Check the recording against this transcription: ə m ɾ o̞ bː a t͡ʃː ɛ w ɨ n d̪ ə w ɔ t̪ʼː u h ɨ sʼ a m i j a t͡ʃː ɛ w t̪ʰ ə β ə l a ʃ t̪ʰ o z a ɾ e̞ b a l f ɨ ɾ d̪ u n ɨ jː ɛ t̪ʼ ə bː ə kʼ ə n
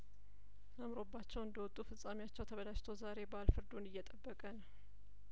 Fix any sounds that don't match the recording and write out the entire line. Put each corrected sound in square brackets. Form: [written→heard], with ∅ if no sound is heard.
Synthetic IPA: ə m ɾ o̞ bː a t͡ʃː ɛ w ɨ n d̪ ə w ɔ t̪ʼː u [h→f] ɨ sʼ a m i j a t͡ʃː ɛ w t̪ʰ ə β ə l a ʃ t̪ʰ o z a ɾ e̞ b a l f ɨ ɾ d̪ u n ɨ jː ɛ t̪ʼ ə bː ə kʼ ə n